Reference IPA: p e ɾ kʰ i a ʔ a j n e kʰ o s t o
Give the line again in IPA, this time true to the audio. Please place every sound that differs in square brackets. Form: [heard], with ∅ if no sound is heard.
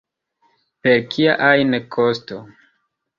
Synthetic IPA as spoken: p e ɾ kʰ i a ʔ a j n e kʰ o s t o